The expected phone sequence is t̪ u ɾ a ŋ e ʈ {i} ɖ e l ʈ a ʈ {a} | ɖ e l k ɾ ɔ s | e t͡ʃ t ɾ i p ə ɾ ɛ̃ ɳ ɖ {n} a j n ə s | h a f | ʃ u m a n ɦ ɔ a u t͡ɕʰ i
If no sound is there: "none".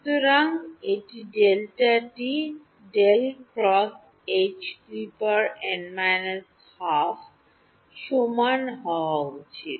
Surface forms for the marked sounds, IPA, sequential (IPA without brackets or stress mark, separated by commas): i, i, m